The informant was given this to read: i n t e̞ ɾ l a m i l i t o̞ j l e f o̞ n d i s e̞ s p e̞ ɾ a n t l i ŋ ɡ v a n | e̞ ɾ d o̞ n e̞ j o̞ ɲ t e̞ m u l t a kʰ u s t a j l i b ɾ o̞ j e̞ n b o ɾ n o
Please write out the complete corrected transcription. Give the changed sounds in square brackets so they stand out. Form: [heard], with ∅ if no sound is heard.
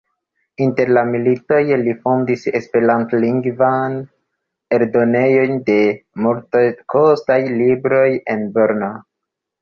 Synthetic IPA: i n t e̞ ɾ l a m i l i t o̞ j l [i] f o̞ n d i s e̞ s p e̞ ɾ a n t l i ŋ ɡ v a n | e̞ ɾ d o̞ n e̞ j o̞ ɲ [d] e̞ m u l t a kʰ [o] s t a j l i b ɾ o̞ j e̞ n b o ɾ n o